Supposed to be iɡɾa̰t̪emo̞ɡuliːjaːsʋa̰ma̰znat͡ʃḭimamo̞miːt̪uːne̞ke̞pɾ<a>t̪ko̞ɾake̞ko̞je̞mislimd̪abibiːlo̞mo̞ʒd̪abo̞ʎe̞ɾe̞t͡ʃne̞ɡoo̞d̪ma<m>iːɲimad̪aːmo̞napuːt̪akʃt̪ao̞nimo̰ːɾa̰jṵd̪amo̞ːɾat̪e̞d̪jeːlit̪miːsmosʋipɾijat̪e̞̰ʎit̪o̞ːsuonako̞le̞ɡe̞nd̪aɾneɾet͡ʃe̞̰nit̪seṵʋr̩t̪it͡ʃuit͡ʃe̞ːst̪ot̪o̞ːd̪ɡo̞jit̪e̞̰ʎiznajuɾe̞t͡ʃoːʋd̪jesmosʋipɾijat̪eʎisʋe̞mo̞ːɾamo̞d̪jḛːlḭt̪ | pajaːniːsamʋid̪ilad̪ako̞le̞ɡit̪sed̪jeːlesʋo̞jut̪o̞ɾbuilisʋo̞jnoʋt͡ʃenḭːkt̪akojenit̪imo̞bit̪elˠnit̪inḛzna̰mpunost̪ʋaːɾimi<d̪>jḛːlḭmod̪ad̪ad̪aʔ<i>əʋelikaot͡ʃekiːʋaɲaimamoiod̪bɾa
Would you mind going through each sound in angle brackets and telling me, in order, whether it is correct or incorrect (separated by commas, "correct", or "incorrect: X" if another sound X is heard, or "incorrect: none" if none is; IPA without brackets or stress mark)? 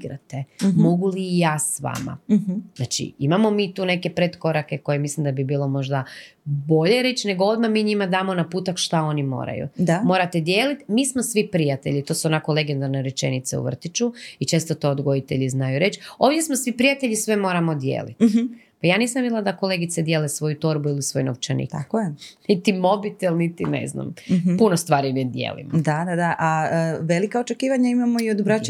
incorrect: e, correct, correct, incorrect: a